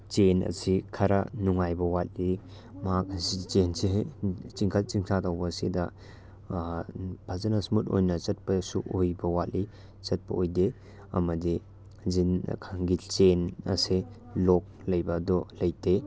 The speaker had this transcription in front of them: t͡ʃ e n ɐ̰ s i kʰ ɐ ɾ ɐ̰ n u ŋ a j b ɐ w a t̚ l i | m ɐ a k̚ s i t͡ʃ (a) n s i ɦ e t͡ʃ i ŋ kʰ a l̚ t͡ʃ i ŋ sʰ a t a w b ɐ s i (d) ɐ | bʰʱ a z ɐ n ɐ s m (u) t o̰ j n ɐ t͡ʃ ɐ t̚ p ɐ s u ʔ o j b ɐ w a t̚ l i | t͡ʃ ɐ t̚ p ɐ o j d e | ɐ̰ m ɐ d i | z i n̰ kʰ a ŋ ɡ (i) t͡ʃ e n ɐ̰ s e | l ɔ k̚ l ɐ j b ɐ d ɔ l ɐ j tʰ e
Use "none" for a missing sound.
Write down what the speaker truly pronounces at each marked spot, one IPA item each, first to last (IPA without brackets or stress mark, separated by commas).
e, d, u, i